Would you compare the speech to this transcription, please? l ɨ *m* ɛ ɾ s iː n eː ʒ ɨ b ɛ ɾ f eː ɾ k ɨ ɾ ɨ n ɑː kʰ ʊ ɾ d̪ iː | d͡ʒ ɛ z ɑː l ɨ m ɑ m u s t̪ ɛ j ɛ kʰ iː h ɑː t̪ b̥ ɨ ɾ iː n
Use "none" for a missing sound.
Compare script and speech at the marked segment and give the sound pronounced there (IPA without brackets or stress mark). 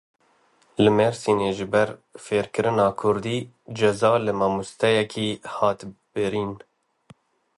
m